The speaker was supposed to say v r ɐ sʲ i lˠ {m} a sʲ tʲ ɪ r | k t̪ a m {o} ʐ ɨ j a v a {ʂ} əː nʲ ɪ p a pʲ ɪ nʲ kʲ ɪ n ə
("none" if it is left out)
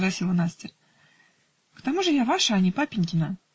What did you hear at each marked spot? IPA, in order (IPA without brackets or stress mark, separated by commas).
n, u, ʂ